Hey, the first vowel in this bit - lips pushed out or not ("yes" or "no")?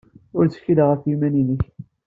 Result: yes